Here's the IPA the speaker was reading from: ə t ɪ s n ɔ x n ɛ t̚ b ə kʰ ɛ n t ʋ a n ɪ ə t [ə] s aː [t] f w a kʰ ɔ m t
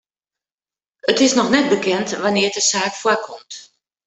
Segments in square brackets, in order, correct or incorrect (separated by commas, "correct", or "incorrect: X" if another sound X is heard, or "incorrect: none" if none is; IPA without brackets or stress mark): correct, incorrect: k